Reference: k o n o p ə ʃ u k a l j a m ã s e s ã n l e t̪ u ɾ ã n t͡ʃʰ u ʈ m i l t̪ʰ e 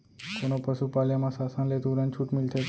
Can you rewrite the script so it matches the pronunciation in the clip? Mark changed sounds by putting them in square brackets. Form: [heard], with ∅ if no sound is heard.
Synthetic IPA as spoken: k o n o p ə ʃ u [p] a l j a m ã s [a] s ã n l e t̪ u ɾ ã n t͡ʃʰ u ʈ m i l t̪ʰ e